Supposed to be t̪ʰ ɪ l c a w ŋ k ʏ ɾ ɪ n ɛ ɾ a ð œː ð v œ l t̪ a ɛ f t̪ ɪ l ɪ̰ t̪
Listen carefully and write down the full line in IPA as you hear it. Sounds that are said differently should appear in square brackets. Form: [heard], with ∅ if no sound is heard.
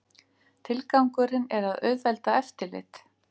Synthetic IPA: t̪ʰ ɪ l [k] a w ŋ k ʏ ɾ ɪ n ɛ ɾ a ð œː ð v [ɛ] l t̪ a ɛ f t̪ ɪ l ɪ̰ t̪